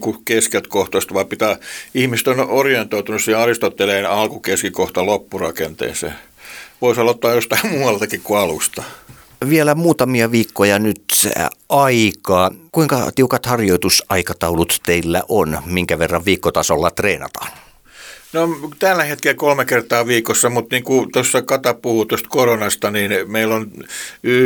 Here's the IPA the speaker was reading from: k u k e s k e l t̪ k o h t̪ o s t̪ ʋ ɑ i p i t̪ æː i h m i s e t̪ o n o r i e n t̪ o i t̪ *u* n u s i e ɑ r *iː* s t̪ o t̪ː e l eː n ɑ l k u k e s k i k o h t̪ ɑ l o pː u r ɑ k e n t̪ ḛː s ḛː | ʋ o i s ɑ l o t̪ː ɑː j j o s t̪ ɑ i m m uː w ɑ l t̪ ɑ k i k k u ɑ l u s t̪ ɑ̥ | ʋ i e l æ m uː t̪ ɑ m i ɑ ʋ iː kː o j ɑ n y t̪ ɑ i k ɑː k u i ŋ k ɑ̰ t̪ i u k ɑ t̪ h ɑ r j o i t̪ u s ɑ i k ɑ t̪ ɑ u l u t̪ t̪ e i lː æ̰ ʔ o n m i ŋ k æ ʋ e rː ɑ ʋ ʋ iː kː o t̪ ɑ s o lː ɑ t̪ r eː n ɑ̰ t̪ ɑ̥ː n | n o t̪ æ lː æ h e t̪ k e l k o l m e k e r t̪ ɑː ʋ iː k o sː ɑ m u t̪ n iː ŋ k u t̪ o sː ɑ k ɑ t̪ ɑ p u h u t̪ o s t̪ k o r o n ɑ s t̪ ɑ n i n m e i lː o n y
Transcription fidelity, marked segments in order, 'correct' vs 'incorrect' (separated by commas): correct, incorrect